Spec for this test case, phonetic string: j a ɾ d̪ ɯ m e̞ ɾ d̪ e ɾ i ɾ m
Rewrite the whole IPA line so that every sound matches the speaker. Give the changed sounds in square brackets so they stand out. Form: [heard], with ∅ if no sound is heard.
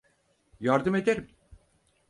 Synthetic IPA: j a ɾ d̪ ɯ m e̞ [∅] d̪ e ɾ i [∅] m